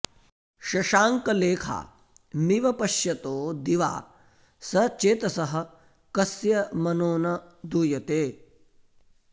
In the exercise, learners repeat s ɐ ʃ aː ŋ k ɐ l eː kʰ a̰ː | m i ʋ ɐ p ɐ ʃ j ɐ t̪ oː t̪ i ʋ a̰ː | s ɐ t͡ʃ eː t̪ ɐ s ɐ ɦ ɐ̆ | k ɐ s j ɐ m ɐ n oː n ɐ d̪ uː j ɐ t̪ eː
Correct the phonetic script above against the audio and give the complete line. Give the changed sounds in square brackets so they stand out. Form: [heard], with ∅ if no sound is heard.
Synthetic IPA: [ʃ] ɐ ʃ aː ŋ k ɐ l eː kʰ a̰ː | m i ʋ ɐ p ɐ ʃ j ɐ t̪ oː [d̪] i ʋ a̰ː | s ɐ t͡ʃ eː t̪ ɐ s ɐ ɦ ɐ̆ | k ɐ s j ɐ m ɐ n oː n ɐ d̪ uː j ɐ t̪ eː

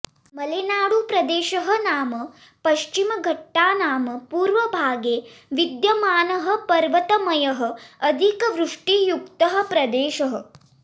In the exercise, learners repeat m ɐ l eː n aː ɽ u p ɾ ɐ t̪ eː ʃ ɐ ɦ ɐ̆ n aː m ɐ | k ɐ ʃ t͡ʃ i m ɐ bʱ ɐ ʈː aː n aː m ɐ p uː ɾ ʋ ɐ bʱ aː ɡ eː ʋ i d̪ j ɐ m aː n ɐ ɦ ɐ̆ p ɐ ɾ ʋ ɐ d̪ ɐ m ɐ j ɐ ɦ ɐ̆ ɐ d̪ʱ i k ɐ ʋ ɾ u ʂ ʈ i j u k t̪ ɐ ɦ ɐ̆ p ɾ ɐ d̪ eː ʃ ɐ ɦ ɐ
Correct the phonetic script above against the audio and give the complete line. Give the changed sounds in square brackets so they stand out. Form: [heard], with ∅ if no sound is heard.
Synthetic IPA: m ɐ l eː n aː ɽ u p ɾ ɐ [d̪] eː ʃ ɐ ɦ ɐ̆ n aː m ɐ | [p] ɐ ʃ t͡ʃ i m ɐ [ɡʱ] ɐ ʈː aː n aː m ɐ p uː ɾ ʋ ɐ bʱ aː ɡ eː ʋ i d̪ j ɐ m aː n ɐ ɦ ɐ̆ p ɐ ɾ ʋ ɐ [t̪] ɐ m ɐ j ɐ ɦ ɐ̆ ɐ d̪ʱ i k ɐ ʋ ɾ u ʂ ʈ i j u k t̪ ɐ ɦ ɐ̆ p ɾ ɐ d̪ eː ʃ ɐ ɦ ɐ

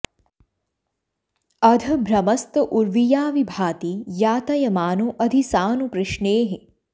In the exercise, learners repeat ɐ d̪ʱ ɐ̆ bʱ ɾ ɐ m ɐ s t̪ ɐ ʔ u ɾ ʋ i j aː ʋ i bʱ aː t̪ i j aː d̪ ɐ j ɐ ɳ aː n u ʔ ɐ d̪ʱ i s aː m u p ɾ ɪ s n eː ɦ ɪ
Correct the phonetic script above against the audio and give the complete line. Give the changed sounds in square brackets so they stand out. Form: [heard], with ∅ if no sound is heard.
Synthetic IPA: ɐ d̪ʱ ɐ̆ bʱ ɾ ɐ m ɐ s t̪ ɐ ʔ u ɾ ʋ i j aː ʋ i bʱ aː t̪ i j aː [t̪] ɐ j ɐ [m] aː n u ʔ ɐ d̪ʱ i s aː [n] u p ɾ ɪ [ʃ] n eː ɦ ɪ

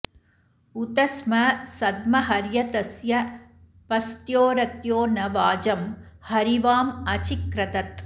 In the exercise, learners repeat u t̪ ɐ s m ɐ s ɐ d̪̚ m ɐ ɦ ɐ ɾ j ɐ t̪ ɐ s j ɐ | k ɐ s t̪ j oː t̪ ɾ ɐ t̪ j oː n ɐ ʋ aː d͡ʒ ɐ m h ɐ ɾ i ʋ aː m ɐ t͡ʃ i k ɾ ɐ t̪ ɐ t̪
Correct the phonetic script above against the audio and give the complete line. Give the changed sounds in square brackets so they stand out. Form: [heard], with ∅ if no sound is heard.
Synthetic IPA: u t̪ ɐ s m ɐ s ɐ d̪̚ m ɐ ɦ ɐ ɾ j ɐ t̪ ɐ s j ɐ | [p] ɐ s t̪ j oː [∅] ɾ ɐ t̪ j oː n ɐ ʋ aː d͡ʒ ɐ m h ɐ ɾ i ʋ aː m ɐ t͡ʃ i k ɾ ɐ t̪ ɐ t̪

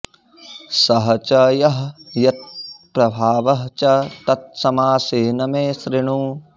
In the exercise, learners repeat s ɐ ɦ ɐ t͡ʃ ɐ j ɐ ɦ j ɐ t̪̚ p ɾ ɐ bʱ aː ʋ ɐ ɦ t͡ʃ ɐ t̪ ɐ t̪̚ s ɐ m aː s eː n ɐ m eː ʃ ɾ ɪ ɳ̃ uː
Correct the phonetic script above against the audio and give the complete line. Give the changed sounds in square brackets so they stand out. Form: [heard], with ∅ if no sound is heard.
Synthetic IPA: s ɐ ɦ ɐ t͡ʃ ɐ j ɐ ɦ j ɐ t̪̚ p ɾ ɐ bʱ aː ʋ ɐ ɦ t͡ʃ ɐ t̪ ɐ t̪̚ s ɐ m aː s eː n ɐ m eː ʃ ɾ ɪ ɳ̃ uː

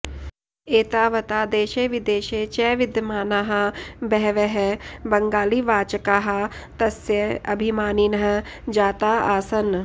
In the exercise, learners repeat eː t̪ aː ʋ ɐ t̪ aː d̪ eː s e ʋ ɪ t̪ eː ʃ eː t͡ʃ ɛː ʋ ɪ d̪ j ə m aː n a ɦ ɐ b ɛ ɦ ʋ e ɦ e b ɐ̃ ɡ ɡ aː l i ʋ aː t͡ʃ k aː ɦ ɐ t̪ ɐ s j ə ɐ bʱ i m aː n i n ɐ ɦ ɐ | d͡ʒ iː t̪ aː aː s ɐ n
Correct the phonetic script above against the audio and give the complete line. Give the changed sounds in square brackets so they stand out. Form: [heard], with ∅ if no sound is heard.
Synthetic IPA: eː t̪ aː ʋ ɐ t̪ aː d̪ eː [ʃ] e ʋ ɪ [d̪] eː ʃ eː t͡ʃ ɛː ʋ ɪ d̪ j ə m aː n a ɦ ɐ b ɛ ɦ ʋ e ɦ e b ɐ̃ [ŋ] ɡ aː l i ʋ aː t͡ʃ k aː ɦ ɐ t̪ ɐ s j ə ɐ bʱ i m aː n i n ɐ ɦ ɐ | d͡ʒ [aː] t̪ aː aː s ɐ n

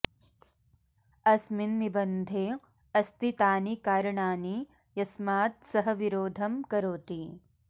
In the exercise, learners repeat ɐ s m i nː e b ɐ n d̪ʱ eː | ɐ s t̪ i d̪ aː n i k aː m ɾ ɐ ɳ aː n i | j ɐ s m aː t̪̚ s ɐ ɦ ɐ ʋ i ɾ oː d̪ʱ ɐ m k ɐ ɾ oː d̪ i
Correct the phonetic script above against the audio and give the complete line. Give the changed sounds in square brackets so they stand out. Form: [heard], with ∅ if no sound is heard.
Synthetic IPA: ɐ s m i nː [i] b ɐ n d̪ʱ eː | ɐ s t̪ i [t̪] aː n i k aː [∅] ɾ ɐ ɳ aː n i | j ɐ s m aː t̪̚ s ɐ ɦ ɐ ʋ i ɾ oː d̪ʱ ɐ m k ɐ ɾ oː [t̪] i

